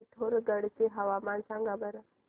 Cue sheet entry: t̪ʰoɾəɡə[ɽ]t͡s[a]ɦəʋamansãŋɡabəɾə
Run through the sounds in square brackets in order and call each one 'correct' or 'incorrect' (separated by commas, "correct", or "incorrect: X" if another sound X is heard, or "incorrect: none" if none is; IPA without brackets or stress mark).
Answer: correct, incorrect: e